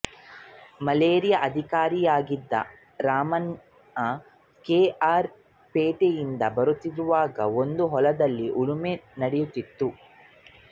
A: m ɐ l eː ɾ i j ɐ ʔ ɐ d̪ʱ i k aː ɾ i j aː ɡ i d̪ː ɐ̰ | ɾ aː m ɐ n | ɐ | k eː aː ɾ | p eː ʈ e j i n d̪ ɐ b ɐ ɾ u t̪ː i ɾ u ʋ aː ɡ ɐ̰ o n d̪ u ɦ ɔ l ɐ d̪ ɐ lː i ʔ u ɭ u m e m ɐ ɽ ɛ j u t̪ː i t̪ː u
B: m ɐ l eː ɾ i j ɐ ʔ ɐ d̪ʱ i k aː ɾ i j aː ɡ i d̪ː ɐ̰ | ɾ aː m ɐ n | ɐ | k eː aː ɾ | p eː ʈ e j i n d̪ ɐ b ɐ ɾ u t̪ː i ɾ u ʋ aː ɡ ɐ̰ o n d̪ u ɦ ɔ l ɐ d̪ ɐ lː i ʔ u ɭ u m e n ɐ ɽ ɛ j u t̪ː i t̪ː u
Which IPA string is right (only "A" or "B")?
B